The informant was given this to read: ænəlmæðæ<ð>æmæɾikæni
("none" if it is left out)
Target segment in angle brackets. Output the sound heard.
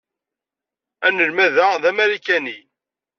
ð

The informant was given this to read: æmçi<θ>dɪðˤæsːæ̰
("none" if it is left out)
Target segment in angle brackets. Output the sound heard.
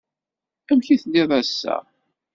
θ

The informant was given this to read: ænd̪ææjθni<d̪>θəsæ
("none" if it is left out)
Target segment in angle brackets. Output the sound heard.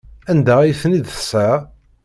d̪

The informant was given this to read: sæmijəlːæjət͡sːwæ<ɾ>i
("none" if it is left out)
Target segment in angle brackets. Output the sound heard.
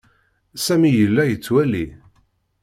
l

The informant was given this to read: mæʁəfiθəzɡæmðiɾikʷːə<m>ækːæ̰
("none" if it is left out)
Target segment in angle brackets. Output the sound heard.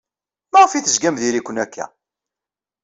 n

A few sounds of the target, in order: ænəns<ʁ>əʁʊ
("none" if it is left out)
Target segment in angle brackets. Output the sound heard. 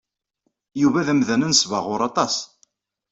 v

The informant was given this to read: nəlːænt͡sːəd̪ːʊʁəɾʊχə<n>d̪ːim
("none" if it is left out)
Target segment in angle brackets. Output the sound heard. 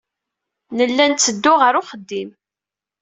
none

